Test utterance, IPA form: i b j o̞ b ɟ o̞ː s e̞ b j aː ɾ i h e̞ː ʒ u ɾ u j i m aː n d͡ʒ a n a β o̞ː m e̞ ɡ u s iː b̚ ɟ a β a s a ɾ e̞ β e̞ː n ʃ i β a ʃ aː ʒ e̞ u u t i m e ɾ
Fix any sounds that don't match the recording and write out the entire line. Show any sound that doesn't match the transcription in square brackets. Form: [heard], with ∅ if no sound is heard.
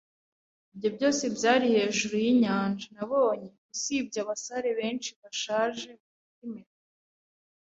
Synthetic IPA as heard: i b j o̞ b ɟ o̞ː s e̞ b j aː ɾ i h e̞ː ʒ u ɾ u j i [ɲ] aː n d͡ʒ a n a β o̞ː [ɲ] e̞ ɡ u s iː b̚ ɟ a β a s a ɾ e̞ β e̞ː n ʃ i β a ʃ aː ʒ e̞ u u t i m e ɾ